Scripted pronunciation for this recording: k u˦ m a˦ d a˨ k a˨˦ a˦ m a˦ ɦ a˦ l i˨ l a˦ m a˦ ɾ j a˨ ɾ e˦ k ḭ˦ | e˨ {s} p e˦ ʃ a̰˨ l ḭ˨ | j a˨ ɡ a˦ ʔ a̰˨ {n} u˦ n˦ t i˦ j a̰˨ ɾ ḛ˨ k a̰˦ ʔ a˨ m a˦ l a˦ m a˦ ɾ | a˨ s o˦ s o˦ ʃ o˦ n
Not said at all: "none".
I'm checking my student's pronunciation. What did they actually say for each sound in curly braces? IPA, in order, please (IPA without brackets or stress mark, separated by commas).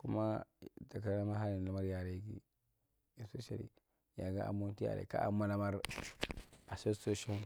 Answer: s, m